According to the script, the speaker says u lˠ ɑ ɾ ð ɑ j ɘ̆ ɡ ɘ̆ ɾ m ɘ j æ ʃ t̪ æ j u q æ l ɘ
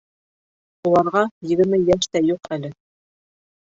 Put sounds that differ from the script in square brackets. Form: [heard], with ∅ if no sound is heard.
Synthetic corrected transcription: u lˠ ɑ ɾ [ʁ] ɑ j ɘ̆ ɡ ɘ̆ ɾ m ɘ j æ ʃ t̪ æ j u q æ l ɘ